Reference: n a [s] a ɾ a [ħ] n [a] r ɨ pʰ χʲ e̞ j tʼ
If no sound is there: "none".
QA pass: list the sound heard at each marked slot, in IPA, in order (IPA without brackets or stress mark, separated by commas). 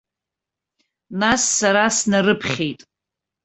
sː, s, a